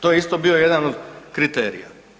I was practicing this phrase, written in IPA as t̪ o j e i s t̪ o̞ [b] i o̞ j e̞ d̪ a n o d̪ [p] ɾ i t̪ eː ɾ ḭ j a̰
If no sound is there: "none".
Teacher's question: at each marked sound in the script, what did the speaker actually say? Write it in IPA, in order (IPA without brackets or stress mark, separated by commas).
b, k